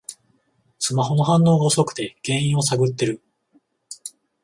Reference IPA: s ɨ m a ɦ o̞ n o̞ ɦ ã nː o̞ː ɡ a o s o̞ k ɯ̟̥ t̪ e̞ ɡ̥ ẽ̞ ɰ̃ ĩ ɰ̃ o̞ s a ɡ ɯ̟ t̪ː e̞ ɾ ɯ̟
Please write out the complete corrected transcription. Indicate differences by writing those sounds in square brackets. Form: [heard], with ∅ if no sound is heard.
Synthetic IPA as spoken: s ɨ m a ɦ o̞ n o̞ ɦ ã nː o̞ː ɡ a o s o̞ k ɯ̟̥ t̪ e̞ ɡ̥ ẽ̞ ɰ̃ ĩ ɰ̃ o̞ s a ɡ ɯ̟ t̪ː e̞ ɾ ɯ̟